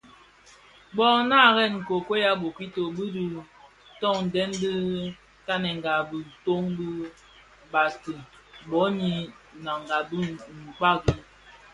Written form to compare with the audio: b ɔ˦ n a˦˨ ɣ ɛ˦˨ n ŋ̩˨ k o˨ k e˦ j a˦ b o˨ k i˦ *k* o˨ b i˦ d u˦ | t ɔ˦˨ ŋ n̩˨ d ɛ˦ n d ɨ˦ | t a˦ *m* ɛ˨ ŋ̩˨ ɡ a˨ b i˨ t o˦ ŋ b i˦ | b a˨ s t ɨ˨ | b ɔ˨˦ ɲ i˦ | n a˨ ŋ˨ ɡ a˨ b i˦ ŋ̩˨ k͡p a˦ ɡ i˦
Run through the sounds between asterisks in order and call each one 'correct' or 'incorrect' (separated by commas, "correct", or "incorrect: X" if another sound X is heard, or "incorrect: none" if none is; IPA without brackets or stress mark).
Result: incorrect: t, incorrect: n